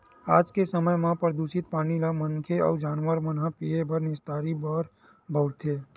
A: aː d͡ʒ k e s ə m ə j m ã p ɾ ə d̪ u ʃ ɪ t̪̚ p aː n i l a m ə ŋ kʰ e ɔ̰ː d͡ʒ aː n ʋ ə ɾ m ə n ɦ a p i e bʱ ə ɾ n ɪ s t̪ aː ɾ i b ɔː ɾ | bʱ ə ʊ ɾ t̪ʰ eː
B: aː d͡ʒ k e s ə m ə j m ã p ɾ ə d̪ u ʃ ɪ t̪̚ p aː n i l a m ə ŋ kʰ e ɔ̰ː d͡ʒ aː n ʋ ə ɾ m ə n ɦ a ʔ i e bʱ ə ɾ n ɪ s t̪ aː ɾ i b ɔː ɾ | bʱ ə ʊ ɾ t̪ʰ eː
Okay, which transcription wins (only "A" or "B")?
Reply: A